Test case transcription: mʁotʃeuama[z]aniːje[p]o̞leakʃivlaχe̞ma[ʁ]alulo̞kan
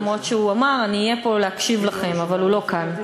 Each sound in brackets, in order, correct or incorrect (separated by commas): incorrect, correct, incorrect